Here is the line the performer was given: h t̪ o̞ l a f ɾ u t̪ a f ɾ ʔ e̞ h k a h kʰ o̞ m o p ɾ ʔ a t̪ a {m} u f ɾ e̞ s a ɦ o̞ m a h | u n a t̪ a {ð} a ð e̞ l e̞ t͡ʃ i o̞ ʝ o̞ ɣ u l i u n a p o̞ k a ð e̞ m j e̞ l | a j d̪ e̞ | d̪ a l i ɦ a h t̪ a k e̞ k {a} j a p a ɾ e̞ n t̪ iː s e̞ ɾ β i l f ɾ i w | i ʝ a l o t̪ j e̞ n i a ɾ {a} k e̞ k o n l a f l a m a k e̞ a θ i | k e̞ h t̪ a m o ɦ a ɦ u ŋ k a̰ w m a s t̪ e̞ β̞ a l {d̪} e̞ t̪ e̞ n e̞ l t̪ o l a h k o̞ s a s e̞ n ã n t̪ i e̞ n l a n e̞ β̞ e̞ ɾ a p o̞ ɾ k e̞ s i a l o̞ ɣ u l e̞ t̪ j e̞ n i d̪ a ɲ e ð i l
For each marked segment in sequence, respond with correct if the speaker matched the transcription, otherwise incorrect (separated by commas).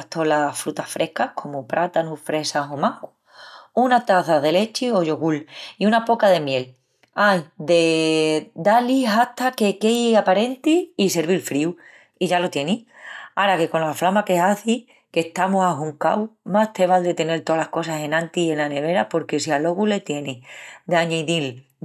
incorrect, incorrect, incorrect, correct, correct